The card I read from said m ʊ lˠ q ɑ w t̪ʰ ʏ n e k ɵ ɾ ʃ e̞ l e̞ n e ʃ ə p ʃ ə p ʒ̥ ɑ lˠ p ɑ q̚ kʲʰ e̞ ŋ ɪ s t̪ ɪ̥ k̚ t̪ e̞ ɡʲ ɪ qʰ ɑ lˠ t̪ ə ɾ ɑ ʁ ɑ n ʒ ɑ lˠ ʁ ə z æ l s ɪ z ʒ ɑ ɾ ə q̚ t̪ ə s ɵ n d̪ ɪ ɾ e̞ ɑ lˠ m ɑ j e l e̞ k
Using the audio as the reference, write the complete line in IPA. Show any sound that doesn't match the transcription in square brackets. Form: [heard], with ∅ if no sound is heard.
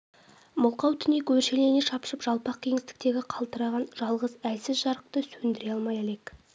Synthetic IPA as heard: m ʊ lˠ q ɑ w t̪ʰ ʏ n e k ɵ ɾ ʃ e̞ l e̞ n e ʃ [ɑ] p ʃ ə p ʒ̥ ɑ lˠ p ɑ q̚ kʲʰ e̞ ŋ ɪ s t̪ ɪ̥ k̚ t̪ e̞ ɡʲ ɪ qʰ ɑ lˠ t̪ ə ɾ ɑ ʁ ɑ n ʒ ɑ lˠ ʁ ə z æ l s ɪ z ʒ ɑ ɾ ə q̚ t̪ ə s ɵ n d̪ ɪ ɾ e̞ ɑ lˠ m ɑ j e l e̞ k